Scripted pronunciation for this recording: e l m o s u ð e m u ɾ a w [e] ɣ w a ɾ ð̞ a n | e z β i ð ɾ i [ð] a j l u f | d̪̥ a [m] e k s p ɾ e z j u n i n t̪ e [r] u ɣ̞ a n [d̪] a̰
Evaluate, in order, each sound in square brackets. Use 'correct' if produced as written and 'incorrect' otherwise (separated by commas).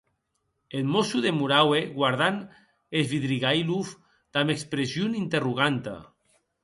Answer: correct, incorrect, correct, correct, incorrect